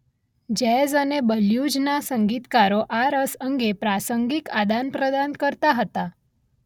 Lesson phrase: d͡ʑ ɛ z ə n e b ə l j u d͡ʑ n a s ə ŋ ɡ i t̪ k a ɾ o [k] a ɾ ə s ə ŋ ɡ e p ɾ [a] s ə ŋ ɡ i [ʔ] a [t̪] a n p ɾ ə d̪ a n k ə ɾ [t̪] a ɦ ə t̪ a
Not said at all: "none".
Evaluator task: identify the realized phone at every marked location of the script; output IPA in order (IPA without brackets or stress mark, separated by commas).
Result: ʔ, a, k, d̪, t̪